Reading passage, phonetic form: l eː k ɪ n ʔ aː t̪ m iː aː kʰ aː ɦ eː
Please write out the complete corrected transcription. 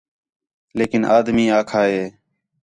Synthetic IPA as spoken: l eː k ɪ n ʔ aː d̪ m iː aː kʰ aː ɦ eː